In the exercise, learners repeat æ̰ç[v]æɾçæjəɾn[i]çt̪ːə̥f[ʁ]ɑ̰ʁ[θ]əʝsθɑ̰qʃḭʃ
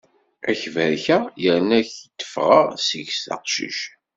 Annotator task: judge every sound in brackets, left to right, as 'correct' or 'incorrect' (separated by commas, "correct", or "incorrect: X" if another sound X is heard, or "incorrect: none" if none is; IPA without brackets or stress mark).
correct, incorrect: æ, correct, incorrect: s